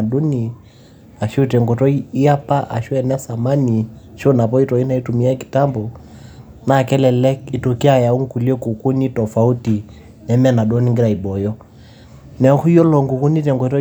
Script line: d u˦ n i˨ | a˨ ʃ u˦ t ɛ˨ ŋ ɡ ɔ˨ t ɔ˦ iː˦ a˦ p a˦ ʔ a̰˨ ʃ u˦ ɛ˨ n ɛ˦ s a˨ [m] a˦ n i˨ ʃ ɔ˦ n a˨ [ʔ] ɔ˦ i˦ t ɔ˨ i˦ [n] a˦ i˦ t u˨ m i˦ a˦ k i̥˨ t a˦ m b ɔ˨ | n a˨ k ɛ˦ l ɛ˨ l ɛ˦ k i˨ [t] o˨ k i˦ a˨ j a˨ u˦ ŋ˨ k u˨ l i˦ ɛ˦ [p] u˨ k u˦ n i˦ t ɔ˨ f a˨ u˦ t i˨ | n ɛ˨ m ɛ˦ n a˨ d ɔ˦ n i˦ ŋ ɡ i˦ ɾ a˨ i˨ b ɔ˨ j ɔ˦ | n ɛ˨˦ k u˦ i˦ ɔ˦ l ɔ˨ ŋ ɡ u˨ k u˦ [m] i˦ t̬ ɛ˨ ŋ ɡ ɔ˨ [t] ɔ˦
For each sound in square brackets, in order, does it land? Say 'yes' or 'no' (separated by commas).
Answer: yes, no, yes, yes, no, no, yes